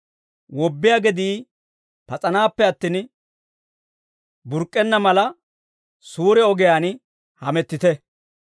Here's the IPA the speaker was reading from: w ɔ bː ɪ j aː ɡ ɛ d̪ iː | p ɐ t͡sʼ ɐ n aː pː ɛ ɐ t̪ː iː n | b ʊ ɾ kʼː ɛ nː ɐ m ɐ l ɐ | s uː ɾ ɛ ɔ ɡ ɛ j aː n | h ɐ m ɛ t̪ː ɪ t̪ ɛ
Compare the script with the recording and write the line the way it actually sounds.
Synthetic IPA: w ɔ bː ɪ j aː ɡ ɛ d̪ iː | p ɐ t͡sʼ ɐ n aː pː ɛ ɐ t̪ː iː n | b ʊ ɾ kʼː ɛ nː ɐ m ɐ l ɐ | s uː ɾ ɛ ɔ ɡ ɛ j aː n | h ɐ m ɛ t̪ː ɪ t̪ ɛ